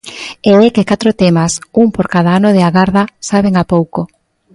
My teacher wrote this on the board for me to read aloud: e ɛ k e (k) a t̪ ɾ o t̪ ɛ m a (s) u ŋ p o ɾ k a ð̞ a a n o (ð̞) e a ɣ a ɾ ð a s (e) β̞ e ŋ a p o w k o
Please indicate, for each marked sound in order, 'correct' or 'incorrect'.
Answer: correct, correct, correct, incorrect: a

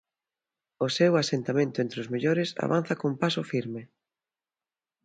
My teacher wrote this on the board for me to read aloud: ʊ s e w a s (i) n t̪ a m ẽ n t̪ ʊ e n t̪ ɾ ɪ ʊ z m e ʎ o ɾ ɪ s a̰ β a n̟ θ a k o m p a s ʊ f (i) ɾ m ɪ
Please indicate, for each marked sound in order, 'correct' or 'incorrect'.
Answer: incorrect: e, correct

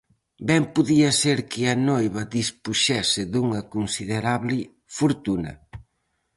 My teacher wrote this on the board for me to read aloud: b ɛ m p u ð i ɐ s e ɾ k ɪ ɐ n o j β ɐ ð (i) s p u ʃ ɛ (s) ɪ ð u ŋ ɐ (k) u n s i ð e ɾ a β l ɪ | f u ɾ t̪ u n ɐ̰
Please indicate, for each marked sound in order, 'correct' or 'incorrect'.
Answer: correct, correct, correct

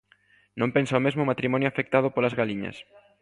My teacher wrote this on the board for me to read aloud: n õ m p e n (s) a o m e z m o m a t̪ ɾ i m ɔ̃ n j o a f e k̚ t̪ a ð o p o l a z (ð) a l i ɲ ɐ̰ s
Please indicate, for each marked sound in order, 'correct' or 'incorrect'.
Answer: correct, incorrect: ɣ

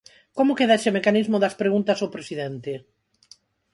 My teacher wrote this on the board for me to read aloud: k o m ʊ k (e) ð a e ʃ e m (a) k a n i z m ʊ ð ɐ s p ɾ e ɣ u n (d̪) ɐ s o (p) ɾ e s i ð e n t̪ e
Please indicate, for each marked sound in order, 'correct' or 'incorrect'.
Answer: correct, incorrect: e, incorrect: t̪, correct

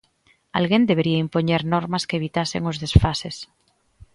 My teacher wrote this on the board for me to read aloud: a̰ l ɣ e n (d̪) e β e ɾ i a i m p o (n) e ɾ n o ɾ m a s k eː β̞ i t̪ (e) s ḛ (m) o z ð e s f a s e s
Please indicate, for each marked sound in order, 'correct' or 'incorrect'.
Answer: correct, incorrect: ɲ, incorrect: a, incorrect: ŋ

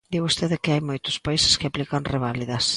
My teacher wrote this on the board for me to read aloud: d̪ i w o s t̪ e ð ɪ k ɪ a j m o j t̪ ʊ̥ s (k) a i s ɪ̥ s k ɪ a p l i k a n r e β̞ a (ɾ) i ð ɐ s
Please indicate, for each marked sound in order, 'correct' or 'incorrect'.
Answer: incorrect: p, incorrect: l

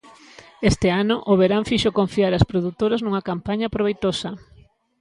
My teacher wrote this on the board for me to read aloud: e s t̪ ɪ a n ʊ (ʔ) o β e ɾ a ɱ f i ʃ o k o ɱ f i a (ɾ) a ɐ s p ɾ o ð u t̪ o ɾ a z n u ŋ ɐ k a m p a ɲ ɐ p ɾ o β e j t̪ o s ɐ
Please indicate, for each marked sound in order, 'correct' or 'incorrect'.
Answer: correct, correct

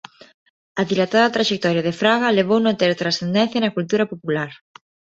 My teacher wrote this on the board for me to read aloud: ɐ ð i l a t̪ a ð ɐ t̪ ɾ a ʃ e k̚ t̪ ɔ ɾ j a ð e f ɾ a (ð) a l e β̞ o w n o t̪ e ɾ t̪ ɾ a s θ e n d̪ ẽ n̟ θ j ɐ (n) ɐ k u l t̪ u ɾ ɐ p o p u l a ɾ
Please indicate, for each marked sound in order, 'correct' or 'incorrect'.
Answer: incorrect: ɣ, correct

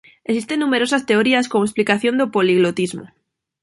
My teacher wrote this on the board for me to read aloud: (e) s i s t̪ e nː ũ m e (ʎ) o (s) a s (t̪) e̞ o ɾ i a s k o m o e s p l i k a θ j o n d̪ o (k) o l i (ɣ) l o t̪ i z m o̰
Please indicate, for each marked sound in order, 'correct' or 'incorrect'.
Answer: correct, incorrect: ɾ, correct, correct, incorrect: p, correct

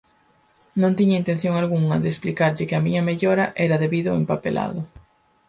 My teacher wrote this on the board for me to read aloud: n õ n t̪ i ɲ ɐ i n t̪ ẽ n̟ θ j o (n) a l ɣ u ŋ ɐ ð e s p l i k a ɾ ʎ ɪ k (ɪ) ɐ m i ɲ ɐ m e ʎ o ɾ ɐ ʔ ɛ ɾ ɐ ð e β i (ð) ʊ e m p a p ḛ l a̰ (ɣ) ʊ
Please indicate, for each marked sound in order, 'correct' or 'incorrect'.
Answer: incorrect: ŋ, correct, correct, incorrect: ð

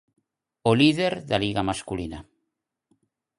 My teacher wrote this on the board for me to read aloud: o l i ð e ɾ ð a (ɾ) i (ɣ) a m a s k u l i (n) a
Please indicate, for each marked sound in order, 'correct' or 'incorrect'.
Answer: incorrect: l, correct, correct

